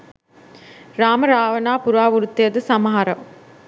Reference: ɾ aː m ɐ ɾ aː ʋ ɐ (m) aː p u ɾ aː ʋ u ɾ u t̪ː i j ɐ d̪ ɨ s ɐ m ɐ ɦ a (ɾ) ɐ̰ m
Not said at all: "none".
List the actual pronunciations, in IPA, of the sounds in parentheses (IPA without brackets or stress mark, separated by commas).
n, ɾ